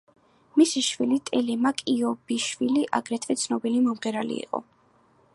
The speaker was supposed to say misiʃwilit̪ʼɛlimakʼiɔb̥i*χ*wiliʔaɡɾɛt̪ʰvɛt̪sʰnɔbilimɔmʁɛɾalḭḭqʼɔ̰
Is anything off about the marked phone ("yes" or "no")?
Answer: yes